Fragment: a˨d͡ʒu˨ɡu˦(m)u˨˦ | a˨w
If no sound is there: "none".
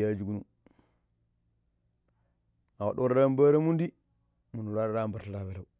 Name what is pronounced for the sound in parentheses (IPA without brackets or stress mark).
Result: n